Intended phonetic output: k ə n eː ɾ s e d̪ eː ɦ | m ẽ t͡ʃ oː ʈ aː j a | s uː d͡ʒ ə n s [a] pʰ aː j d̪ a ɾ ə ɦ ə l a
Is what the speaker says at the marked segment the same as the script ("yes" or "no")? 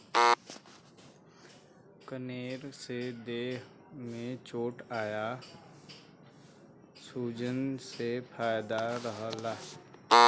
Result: no